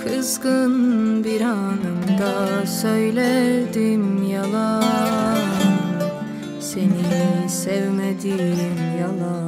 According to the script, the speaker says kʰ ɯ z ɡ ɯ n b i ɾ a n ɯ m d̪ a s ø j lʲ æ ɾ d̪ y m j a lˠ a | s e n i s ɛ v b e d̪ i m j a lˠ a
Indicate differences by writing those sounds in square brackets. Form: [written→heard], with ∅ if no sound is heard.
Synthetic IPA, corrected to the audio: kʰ ɯ z ɡ ɯ n b i ɾ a n ɯ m d̪ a s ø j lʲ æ ɾ d̪ [y→i] m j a lˠ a | s e n i s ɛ v [b→m] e d̪ i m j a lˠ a